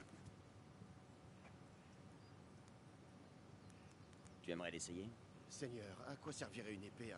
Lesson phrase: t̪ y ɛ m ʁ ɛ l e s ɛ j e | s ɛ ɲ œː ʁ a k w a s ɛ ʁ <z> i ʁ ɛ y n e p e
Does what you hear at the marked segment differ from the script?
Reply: yes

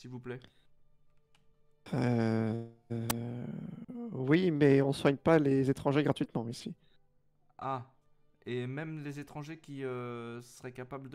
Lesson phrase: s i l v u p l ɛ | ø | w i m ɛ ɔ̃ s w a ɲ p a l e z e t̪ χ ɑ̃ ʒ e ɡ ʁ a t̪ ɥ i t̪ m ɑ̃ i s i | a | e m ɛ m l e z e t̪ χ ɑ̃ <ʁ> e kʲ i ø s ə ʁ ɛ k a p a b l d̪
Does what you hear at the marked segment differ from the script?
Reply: yes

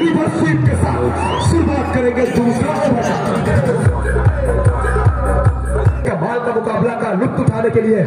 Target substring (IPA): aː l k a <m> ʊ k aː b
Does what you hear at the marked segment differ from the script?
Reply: no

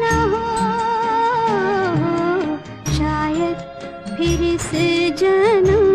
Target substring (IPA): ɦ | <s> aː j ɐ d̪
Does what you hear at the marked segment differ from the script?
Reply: yes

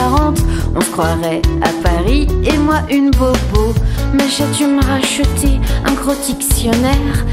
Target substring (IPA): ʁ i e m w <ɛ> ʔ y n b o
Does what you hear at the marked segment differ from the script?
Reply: yes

